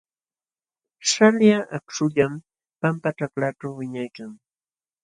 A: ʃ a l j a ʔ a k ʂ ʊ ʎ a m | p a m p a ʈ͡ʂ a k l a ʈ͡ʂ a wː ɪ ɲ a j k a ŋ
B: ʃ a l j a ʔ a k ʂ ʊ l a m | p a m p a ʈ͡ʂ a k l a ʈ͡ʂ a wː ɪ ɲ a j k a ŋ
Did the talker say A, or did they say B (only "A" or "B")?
A